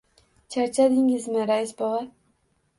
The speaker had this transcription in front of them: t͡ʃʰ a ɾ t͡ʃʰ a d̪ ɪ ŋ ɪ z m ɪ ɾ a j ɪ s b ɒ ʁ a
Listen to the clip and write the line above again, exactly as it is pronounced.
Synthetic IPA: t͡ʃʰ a ɾ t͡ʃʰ a d̪ ɪ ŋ ɪ z m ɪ ɾ a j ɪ s b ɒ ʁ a